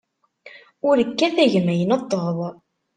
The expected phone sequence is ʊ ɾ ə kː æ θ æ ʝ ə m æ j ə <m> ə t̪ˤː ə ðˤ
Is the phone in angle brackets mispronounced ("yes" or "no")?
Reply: yes